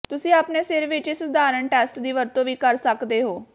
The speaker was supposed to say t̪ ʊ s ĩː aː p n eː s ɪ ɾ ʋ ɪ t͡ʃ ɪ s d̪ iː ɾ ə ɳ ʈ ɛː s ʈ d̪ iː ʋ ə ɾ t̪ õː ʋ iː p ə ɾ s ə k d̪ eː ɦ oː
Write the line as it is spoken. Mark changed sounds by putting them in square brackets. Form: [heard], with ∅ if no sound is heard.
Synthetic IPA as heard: t̪ ʊ s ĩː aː p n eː s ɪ ɾ ʋ ɪ t͡ʃ ɪ s d̪ [aː] ɾ ə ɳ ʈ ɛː s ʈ d̪ iː ʋ ə ɾ t̪ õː ʋ iː [k] ə ɾ s ə k d̪ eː ɦ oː